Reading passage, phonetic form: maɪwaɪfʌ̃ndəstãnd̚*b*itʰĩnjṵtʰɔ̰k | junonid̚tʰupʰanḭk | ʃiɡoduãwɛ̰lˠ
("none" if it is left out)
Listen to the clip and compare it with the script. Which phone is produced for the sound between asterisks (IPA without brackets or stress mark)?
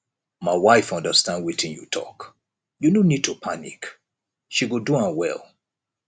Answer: w